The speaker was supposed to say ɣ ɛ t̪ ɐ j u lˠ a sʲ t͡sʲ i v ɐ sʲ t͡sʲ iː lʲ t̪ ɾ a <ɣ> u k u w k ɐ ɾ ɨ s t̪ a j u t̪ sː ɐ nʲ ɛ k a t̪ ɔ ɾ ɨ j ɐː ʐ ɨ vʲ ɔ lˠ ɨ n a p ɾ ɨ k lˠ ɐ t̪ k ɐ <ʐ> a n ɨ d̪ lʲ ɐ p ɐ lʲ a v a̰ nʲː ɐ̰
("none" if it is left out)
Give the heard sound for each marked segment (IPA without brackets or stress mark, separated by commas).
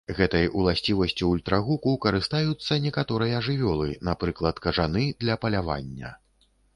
ɣ, ʐ